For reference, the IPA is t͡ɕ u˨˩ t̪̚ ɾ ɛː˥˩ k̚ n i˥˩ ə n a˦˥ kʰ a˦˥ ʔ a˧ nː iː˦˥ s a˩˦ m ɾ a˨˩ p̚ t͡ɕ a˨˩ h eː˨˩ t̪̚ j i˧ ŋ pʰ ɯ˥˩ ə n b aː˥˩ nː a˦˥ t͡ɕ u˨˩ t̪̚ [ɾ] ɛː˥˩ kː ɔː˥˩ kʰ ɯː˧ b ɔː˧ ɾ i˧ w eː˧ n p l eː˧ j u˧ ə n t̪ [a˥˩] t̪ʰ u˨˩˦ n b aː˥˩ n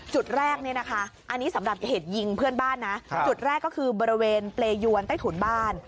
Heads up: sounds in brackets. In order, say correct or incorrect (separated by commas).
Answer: correct, correct